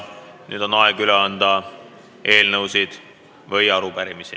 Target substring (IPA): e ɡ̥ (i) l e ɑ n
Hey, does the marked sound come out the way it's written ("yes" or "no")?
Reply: no